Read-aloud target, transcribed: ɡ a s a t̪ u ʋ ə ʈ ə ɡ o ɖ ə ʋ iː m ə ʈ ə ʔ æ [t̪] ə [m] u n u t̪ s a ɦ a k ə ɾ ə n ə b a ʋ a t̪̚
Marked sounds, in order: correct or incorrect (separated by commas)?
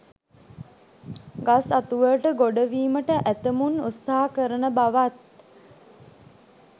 correct, correct